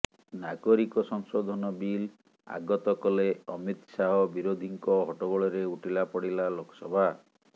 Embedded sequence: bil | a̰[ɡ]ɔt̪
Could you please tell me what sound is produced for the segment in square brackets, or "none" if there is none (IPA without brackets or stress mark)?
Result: ɡ